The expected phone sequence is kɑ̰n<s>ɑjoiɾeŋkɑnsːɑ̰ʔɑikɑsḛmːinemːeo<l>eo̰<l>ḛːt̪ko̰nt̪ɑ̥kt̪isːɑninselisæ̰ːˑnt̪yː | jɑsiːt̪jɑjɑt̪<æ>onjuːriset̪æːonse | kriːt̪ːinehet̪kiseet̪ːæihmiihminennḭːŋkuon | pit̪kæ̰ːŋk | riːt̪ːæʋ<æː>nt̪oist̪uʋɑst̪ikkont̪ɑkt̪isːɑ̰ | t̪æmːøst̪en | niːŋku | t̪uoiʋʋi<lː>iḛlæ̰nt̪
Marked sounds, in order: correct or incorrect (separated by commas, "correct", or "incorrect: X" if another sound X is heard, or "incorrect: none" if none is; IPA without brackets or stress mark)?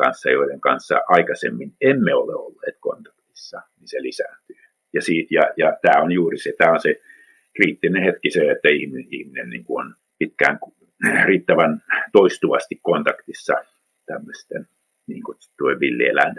incorrect: sː, correct, incorrect: lː, incorrect: æː, incorrect: æ, correct